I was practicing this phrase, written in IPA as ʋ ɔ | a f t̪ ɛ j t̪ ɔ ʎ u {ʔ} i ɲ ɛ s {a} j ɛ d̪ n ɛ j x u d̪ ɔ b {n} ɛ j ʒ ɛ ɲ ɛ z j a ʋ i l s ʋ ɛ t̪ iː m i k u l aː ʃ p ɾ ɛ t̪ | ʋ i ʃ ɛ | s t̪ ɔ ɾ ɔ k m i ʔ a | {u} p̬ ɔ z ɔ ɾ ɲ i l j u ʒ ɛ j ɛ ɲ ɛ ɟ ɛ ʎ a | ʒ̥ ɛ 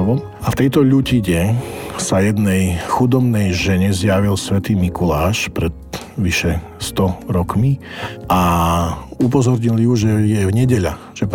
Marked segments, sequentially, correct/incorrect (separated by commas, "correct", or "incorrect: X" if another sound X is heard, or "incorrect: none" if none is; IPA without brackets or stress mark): incorrect: c, correct, correct, correct